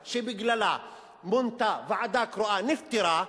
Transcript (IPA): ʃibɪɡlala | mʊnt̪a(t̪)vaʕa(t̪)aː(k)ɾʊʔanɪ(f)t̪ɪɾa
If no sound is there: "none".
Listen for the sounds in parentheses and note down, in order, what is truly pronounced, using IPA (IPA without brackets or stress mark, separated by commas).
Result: none, d̪, k, f